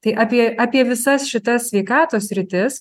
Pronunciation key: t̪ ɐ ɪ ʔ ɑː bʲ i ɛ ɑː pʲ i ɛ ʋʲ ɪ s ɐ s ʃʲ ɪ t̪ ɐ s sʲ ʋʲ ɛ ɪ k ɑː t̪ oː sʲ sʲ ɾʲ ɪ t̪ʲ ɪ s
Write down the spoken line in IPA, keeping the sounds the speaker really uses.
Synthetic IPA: t̪ ɐ ɪ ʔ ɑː pʲ i ɛ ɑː pʲ i ɛ ʋʲ ɪ s ɐ s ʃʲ ɪ t̪ ɐ s sʲ ʋʲ ɛ ɪ k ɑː t̪ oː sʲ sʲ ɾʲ ɪ t̪ʲ ɪ s

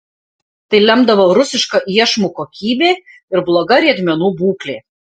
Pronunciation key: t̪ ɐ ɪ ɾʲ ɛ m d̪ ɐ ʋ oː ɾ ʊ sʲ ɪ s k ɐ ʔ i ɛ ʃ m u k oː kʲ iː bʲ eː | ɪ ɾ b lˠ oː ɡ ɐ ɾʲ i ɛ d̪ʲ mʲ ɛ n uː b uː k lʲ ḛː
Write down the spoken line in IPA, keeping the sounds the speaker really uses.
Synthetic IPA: t̪ ɐ ɪ lʲ ɛ m d̪ ɐ ʋ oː ɾ ʊ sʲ ɪ ʃ k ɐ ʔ i ɛ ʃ m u k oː kʲ iː bʲ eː | ɪ ɾ b lˠ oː ɡ ɐ ɾʲ i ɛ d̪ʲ mʲ ɛ n uː b uː k lʲ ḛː

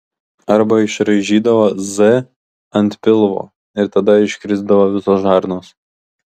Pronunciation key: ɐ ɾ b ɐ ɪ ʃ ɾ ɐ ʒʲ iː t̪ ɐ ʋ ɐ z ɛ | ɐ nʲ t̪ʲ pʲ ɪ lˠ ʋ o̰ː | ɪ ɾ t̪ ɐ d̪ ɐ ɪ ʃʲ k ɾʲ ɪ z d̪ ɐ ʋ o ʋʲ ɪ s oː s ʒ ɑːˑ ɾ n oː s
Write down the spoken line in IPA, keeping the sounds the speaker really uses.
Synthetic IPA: ɐ ɾ b ɐ ɪ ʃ ɾ ɐ ʒʲ iː d̪ ɐ ʋ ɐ z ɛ | ɐ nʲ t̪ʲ pʲ ɪ lˠ ʋ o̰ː | ɪ ɾ t̪ ɐ d̪ ɐ ɪ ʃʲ k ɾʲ ɪ z d̪ ɐ ʋ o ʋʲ ɪ s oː s ʒ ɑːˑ ɾ n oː s

